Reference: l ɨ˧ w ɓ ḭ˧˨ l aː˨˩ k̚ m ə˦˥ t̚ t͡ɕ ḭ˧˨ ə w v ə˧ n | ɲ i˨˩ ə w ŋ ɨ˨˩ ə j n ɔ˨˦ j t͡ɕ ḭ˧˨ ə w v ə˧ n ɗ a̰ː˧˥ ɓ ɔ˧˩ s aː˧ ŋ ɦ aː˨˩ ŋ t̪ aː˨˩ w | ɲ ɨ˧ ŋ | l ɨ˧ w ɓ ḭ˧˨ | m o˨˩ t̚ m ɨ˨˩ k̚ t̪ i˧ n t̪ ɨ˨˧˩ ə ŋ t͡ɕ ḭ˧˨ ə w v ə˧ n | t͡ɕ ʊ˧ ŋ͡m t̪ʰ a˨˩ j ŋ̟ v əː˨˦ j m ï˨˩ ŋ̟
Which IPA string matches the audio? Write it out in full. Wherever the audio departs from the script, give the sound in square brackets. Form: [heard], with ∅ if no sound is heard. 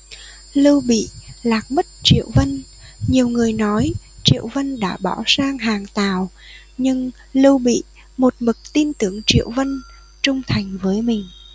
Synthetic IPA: l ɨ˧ w ɓ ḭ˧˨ l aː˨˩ k̚ m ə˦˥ t̚ t͡ɕ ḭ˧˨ ə w v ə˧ n | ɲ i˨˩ ə w ŋ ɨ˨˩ ə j n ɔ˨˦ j t͡ɕ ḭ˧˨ ə w v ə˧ n ɗ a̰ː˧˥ ɓ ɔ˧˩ s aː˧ ŋ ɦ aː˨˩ ŋ t̪ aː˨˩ w | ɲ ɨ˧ ŋ | l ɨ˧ w ɓ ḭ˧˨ | m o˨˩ t̚ m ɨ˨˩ k̚ t̪ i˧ n t̪ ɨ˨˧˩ ə ŋ t͡ɕ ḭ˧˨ ə w v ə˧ n | t͡ɕ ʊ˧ ŋ͡m t̪ʰ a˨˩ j ŋ̟ v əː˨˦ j m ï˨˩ ŋ̟